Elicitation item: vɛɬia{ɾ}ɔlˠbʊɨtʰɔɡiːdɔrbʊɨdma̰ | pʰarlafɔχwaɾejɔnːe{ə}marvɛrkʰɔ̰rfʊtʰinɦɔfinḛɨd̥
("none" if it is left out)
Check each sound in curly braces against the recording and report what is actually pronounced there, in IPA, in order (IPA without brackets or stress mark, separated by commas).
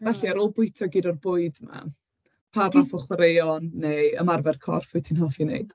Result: ɾ, ə